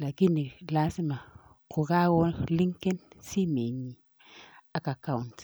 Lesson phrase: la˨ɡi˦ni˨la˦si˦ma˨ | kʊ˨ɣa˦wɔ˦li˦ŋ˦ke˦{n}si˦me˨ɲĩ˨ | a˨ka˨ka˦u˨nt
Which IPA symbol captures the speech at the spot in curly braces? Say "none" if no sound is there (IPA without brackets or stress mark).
n